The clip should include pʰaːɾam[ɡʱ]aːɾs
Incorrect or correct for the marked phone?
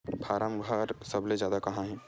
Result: correct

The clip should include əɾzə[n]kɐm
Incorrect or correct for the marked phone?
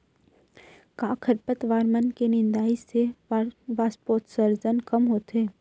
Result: correct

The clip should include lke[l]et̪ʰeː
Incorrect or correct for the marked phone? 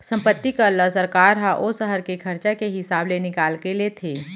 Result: correct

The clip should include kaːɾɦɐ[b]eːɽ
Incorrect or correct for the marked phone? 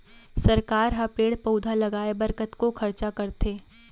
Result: incorrect: p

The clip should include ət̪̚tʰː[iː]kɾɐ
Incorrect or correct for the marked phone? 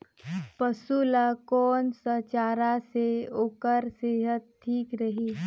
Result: correct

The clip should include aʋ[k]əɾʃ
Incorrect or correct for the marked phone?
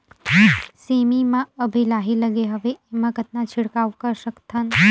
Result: correct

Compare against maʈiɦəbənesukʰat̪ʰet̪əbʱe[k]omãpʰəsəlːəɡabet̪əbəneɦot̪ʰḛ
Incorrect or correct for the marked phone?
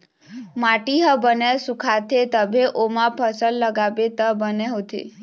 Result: incorrect: ʔ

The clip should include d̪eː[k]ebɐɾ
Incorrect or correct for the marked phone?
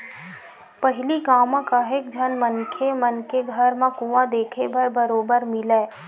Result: incorrect: kʰ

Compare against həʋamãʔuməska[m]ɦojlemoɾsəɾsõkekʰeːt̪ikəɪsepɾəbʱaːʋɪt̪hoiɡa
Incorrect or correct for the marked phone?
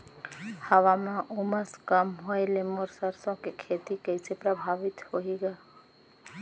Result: correct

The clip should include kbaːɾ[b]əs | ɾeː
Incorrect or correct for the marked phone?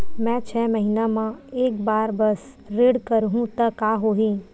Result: correct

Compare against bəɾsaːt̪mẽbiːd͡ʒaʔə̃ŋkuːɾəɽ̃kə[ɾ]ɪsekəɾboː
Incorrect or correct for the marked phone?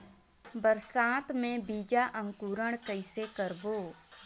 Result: incorrect: none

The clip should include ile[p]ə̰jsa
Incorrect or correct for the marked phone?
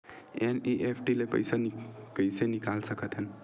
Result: correct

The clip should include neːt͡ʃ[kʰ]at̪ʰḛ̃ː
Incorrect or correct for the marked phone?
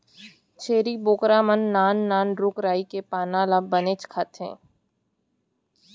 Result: correct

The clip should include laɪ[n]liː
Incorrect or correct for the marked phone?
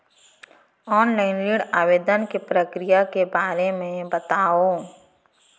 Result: correct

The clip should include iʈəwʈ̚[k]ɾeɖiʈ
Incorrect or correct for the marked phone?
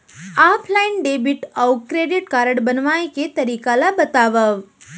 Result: correct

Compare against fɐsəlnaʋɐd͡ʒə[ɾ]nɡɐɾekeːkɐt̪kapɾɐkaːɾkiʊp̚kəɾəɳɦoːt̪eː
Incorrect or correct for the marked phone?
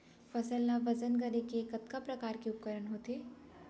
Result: incorrect: none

